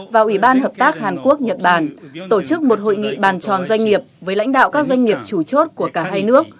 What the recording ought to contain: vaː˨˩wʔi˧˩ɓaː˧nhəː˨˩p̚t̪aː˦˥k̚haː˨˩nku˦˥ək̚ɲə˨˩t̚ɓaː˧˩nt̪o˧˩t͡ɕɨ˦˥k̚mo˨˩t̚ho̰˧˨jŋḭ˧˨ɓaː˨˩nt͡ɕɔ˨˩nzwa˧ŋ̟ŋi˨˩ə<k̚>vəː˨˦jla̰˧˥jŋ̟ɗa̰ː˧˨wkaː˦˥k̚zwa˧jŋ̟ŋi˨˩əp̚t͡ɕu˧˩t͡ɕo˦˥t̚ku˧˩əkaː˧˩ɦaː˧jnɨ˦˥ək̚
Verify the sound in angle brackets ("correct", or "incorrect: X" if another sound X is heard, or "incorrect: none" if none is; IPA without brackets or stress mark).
incorrect: p̚